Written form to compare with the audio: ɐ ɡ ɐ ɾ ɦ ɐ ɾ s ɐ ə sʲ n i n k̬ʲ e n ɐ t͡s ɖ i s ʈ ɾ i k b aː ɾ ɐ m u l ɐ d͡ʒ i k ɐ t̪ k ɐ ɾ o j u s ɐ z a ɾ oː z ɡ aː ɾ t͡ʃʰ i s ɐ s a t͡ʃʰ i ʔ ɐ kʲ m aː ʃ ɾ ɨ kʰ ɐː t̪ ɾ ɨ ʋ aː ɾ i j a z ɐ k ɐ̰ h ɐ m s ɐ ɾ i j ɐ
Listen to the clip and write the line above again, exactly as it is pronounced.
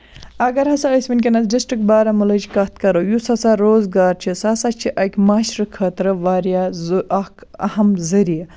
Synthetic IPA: ɐ ɡ ɐ ɾ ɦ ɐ s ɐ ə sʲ m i n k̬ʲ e n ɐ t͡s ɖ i s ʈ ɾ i k b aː ɾ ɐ m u l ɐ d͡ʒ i k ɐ t̪ k ɐ ɾ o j u s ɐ s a ɾ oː z ɡ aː ɾ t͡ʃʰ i s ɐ s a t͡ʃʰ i ʔ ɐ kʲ m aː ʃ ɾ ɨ kʰ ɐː t̪ ɾ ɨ ʋ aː ɾ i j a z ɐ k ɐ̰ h ɐ m z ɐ ɾ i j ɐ